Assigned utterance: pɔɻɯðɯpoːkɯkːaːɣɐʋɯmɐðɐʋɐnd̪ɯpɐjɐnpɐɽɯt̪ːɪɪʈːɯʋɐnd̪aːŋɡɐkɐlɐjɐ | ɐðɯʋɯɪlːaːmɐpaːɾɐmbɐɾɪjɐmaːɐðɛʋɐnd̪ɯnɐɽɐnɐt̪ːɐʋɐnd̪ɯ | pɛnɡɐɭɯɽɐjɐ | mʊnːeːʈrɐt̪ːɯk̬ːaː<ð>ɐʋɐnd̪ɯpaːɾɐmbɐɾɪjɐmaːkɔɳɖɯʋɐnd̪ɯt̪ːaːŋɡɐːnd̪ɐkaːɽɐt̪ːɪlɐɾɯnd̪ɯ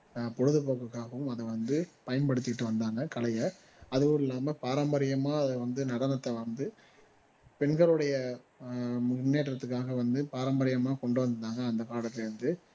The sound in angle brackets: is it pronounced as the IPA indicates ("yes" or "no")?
no